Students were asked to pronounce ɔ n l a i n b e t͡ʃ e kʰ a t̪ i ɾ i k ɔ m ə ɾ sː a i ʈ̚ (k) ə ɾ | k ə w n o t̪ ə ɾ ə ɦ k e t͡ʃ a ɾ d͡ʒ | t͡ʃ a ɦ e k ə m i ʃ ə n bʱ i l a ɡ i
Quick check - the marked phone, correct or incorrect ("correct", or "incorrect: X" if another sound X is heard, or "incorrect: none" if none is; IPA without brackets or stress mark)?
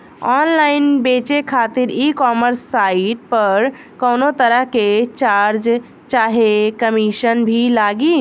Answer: incorrect: p